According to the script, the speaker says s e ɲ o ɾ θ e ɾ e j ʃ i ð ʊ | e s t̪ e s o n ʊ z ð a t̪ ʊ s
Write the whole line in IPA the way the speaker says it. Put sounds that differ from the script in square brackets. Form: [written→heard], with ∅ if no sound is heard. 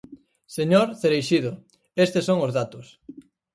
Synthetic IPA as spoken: s e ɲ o ɾ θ e ɾ e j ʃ i ð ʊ | e s t̪ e s o [n→ŋ] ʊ z ð a t̪ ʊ s